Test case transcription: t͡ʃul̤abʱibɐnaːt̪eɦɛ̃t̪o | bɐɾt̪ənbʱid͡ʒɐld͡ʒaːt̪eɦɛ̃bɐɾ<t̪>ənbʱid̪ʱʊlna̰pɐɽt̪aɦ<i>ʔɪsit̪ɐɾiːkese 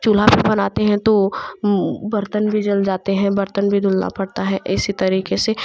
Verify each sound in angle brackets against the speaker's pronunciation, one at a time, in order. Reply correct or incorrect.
correct, incorrect: ɛ

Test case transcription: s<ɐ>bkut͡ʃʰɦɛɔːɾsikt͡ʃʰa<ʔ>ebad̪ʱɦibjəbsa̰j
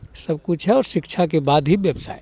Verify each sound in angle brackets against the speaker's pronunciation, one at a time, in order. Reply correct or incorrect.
incorrect: ə, incorrect: k

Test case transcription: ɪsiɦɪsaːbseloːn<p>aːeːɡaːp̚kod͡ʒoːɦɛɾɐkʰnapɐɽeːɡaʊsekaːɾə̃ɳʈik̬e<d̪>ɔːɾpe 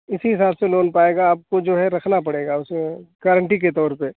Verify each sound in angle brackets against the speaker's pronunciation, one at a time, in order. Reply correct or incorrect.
correct, incorrect: t̪

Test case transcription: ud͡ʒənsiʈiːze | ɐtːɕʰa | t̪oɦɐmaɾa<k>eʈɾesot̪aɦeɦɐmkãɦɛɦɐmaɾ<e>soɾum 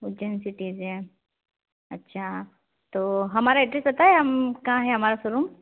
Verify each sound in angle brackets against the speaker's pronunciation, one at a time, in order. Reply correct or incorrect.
incorrect: none, incorrect: a

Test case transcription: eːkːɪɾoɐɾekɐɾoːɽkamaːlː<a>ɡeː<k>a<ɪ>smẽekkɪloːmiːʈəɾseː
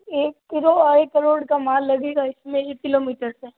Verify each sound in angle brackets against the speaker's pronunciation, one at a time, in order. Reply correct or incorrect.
incorrect: ɐ, incorrect: ɡ, correct

